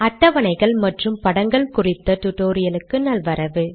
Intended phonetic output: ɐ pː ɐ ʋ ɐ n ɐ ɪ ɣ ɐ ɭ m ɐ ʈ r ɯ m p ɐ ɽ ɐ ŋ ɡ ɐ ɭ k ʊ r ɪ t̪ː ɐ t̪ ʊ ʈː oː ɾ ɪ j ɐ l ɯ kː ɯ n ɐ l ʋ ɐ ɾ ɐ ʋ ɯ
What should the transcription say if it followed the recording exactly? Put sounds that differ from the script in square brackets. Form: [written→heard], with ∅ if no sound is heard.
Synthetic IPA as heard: ɐ [pː→ʈː] ɐ ʋ ɐ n ɐ ɪ ɣ ɐ ɭ m ɐ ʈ r ɯ m p ɐ ɽ ɐ ŋ ɡ ɐ ɭ k ʊ r ɪ t̪ː ɐ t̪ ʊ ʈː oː ɾ ɪ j ɐ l ɯ kː ɯ n ɐ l ʋ ɐ ɾ ɐ ʋ ɯ